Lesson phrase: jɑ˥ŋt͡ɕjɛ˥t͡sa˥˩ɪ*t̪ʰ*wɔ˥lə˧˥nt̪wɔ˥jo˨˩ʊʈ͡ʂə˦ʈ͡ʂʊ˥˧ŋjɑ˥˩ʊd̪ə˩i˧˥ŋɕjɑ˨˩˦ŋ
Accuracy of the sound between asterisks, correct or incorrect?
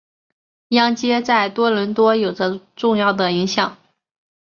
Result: incorrect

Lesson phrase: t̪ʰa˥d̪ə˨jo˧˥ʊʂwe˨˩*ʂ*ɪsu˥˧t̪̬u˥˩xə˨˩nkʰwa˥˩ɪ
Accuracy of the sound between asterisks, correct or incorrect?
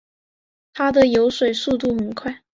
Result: incorrect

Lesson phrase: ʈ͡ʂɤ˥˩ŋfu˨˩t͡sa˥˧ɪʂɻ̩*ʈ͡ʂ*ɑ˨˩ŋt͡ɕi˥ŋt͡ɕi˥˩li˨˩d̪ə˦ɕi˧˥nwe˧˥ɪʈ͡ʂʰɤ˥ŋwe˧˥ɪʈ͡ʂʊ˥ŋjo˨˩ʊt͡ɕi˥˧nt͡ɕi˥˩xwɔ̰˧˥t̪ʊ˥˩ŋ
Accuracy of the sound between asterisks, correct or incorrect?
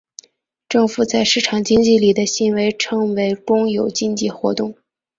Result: incorrect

